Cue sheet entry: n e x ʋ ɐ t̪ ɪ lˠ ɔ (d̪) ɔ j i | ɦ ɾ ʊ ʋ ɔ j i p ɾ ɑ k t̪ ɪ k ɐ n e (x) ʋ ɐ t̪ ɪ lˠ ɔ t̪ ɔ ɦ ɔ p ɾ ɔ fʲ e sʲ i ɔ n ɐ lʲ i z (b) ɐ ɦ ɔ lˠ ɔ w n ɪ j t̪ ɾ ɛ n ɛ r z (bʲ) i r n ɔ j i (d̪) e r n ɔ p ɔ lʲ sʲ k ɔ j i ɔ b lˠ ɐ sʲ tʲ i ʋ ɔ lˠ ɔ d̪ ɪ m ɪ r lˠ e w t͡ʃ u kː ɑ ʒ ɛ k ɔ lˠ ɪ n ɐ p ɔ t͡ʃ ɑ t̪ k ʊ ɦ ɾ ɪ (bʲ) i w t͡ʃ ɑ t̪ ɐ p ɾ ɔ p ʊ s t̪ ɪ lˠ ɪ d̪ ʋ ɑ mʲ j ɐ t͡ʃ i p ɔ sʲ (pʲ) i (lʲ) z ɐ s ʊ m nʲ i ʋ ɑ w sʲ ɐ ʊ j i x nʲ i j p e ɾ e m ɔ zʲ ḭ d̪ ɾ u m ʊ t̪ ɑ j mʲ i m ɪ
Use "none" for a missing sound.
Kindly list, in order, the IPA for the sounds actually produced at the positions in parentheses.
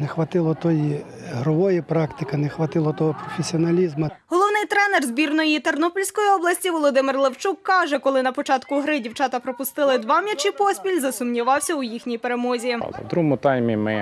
t̪, x, m, bʲ, t̪, dʲ, pʲ, lʲ

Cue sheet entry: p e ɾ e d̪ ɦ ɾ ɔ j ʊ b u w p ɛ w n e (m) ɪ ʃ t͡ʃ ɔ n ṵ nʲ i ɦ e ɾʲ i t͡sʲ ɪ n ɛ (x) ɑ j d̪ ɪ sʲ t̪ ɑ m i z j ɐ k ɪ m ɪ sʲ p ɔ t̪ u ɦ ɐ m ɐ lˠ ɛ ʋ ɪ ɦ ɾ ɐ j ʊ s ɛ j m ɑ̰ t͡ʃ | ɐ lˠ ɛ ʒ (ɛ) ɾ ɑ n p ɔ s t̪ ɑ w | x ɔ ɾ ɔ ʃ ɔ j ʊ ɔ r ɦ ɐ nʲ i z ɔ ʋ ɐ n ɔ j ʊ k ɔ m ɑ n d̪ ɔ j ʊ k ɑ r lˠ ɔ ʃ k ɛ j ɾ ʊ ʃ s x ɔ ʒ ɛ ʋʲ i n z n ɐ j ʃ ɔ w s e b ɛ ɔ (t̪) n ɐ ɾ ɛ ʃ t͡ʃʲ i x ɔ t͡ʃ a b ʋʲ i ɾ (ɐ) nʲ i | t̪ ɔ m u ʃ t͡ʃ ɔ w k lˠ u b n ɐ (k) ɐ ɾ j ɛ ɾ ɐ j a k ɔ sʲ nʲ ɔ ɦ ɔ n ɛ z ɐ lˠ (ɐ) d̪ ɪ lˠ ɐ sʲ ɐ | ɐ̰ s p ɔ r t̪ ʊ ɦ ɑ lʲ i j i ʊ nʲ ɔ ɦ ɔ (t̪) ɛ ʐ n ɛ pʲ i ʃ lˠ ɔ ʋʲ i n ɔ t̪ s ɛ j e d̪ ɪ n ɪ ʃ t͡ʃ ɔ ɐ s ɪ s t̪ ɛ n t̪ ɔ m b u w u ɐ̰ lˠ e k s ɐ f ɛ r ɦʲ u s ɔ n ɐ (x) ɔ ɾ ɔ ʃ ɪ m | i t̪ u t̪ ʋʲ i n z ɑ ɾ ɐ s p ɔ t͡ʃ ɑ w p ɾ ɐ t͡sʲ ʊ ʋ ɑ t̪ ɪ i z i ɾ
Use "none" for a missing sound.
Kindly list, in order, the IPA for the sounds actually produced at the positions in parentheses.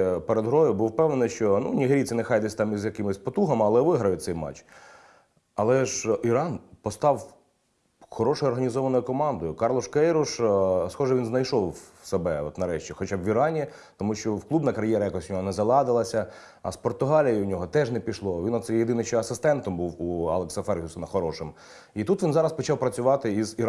n, x, i, t̪, ɑ, k, ɑ, t̪, x

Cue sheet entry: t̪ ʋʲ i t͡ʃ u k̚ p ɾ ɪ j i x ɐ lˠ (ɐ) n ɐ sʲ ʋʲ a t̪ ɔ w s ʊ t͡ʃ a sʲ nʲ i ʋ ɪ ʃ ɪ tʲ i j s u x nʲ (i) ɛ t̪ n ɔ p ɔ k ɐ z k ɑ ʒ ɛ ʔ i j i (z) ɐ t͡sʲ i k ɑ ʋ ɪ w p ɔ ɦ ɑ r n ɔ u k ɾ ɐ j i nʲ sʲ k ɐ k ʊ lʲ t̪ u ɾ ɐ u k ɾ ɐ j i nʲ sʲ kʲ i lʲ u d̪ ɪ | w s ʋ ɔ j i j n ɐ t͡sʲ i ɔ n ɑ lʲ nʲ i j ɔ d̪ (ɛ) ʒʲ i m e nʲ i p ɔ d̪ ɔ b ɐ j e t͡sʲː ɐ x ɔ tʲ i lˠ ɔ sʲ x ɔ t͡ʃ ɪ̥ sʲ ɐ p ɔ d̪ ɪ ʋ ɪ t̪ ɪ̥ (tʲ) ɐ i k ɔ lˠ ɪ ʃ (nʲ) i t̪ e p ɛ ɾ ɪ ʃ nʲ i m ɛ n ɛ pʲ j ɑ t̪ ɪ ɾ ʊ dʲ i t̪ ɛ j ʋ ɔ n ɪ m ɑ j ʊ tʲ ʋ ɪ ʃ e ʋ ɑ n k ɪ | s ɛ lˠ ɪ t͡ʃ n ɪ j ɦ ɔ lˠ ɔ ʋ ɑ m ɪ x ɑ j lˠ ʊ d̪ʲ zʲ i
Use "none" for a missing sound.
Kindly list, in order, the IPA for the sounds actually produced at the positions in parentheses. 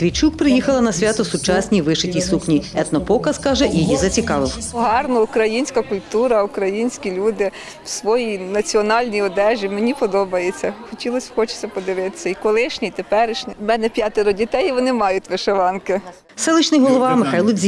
ɐ, i, z, ɛ, sʲ, nʲ

